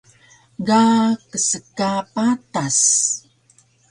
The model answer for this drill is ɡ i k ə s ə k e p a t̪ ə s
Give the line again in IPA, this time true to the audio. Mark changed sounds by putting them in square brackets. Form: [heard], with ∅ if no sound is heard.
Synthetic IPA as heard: ɡ [a] k ə s ə k [a] p a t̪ [a] s